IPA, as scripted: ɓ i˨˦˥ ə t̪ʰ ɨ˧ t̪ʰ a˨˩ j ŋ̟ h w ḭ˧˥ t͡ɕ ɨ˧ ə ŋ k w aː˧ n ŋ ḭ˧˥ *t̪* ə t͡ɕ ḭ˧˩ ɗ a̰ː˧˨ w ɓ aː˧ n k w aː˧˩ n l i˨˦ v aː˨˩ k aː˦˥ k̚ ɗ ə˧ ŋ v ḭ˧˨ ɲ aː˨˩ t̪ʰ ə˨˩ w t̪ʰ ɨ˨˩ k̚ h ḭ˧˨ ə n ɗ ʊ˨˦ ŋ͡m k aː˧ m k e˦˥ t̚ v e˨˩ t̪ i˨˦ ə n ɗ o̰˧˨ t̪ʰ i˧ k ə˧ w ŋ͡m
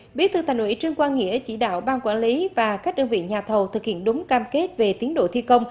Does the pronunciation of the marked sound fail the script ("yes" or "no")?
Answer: yes